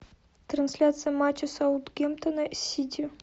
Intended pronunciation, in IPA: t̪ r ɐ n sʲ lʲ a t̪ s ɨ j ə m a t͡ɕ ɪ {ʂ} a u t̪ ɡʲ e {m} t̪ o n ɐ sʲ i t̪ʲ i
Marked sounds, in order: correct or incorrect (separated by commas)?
incorrect, correct